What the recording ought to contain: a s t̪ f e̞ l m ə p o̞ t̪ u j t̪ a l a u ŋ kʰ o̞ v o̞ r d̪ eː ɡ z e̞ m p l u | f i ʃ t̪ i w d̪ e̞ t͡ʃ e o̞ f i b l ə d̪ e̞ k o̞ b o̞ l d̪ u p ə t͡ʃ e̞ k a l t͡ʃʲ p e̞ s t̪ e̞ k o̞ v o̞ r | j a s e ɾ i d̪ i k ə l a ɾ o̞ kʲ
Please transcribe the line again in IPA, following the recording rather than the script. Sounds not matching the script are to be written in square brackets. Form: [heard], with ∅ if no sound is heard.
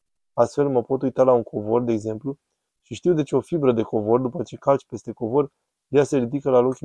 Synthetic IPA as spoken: a s t̪ f e̞ l m ə p o̞ t̪ u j t̪ a l a u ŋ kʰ o̞ v o̞ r d̪ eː ɡ z e̞ m p l u | [ʃ] i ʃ t̪ i w d̪ e̞ t͡ʃ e o̞ f i b [ɾ] ə d̪ e̞ k o̞ [v] o̞ [r] d̪ u p ə t͡ʃ e̞ k a l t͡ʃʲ p e̞ s t̪ e̞ k o̞ v o̞ r | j a s e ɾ i d̪ i k ə l a [l] o̞ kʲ